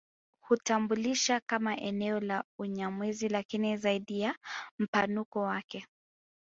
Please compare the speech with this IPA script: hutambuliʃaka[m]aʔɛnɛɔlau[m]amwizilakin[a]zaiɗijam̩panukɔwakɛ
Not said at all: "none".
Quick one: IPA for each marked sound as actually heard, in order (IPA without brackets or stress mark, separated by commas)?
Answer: m, ɲ, i